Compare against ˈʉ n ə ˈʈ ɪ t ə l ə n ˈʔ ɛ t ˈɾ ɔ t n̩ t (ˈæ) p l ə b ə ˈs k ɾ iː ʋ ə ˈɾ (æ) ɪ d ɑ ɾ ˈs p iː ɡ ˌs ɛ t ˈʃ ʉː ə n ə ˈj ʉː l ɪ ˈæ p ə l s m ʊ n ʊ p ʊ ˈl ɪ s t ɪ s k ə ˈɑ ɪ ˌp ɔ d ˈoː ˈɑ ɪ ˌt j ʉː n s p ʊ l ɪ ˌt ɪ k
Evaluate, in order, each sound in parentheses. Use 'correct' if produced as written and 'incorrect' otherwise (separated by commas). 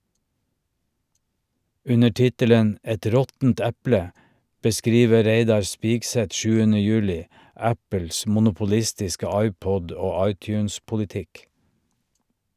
correct, incorrect